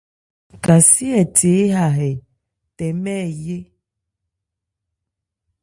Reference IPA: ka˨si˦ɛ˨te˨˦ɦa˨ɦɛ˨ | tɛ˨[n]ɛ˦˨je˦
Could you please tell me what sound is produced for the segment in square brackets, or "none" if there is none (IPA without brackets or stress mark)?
m